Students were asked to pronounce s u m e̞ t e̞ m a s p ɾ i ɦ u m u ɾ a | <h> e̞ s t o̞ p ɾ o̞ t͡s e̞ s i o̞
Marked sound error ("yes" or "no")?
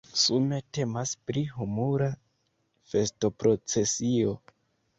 yes